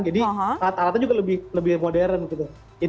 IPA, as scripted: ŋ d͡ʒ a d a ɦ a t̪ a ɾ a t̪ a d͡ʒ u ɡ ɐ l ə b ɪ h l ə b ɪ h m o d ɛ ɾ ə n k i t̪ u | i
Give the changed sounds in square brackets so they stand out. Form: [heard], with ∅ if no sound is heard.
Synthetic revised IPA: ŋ d͡ʒ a d [i] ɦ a t̪ a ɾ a t̪ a d͡ʒ u ɡ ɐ l ə b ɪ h l ə b ɪ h m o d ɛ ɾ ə n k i t̪ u | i